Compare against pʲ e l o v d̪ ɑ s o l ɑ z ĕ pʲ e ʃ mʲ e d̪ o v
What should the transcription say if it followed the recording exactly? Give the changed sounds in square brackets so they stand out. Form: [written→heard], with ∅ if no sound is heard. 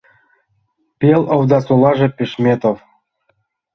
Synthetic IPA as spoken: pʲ e l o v d̪ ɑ s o l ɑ [z→ʒ] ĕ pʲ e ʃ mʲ e [d̪→t̪] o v